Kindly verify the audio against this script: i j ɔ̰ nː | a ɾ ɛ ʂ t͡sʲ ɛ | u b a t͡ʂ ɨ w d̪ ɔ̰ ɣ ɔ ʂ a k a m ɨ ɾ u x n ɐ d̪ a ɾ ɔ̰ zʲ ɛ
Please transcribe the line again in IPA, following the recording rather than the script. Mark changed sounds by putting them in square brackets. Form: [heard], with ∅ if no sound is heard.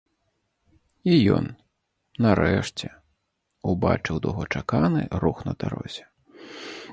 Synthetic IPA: i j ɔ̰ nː | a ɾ ɛ ʂ t͡sʲ ɛ | u b a t͡ʂ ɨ w d̪ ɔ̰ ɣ ɔ [t͡ʂ] a k a [n] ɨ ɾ u x n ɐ d̪ a ɾ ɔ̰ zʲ ɛ